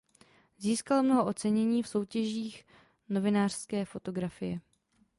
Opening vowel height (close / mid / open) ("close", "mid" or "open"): close